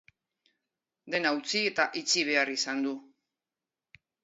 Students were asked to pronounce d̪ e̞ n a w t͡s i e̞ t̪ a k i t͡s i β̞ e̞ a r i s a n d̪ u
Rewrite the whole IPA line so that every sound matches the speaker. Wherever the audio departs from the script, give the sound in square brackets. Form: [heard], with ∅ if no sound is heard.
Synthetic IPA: d̪ e̞ n a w t͡s i e̞ t̪ a [ʔ] i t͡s i β̞ e̞ a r i s a n d̪ u